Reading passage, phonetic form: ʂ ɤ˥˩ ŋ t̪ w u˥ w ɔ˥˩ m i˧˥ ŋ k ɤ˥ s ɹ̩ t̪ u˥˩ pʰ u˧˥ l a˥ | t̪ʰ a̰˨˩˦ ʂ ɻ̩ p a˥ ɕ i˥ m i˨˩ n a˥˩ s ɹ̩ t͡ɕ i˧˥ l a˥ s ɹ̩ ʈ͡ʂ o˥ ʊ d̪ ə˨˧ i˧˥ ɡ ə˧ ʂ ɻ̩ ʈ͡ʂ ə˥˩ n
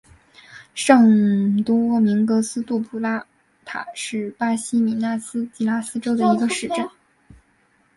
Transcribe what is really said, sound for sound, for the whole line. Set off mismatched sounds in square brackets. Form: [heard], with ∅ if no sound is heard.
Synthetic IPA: ʂ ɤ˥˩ ŋ t̪ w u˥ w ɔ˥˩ m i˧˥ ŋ k [ɤ˧˥] s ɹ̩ t̪ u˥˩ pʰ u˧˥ l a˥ | t̪ʰ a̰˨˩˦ ʂ ɻ̩ p a˥ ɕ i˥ m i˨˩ n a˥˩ s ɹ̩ t͡ɕ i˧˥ l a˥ s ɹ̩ ʈ͡ʂ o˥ ʊ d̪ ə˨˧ i˧˥ ɡ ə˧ ʂ ɻ̩ ʈ͡ʂ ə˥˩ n